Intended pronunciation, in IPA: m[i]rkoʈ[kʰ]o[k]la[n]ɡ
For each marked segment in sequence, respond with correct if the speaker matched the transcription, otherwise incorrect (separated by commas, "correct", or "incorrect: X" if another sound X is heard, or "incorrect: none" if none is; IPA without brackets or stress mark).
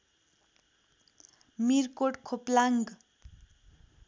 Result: correct, correct, incorrect: p, incorrect: ŋ